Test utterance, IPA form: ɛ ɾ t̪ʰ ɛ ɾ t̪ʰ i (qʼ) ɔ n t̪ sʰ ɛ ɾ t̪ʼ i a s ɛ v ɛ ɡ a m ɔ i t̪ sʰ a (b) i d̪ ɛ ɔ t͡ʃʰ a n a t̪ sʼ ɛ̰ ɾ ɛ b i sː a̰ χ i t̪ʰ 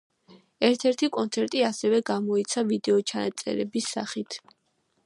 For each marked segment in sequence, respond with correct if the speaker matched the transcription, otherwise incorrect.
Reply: incorrect: kʼ, incorrect: v

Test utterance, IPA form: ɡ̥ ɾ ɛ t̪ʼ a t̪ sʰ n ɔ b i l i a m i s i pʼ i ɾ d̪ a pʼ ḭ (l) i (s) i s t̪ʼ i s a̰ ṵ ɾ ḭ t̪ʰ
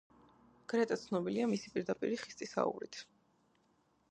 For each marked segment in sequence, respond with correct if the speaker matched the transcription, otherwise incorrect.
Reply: incorrect: ɾ, incorrect: χ

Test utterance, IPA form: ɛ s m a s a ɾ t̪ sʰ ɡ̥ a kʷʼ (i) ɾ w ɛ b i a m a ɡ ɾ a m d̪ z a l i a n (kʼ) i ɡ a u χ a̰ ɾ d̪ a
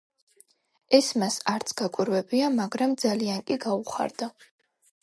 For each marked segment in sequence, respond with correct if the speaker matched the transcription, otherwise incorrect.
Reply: correct, correct

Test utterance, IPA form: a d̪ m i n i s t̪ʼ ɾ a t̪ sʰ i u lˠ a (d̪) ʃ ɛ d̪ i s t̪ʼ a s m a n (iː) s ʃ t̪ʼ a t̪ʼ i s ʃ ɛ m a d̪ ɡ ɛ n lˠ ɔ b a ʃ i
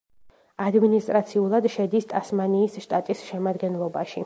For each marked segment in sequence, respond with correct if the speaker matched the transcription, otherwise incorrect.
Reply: correct, correct

